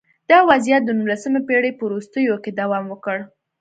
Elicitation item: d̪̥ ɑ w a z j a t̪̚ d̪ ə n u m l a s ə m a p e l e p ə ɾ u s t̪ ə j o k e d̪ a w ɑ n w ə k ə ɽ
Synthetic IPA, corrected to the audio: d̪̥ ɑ w a z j a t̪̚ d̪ ə n u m l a s ə m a p e ɽ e p ə ɾ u s t̪ ə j o k e d̪ a w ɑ m w ə k ə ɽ